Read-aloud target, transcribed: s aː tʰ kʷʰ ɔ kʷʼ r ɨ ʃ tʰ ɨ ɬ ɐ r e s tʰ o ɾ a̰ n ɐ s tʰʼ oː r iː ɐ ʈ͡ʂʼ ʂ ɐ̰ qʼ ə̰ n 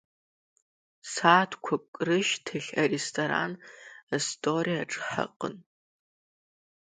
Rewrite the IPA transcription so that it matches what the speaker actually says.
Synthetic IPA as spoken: s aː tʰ kʷʰ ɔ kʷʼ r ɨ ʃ tʰ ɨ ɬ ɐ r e s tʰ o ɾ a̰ n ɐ s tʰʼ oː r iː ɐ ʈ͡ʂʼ ħ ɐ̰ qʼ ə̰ n